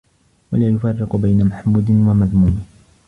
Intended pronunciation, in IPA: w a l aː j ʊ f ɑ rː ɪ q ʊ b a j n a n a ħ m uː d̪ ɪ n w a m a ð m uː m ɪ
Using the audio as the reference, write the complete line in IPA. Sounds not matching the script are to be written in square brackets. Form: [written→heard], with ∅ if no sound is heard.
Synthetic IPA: w a l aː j ʊ f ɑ rː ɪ q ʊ b a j n a [n→m] a ħ m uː d̪ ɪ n w a m a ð m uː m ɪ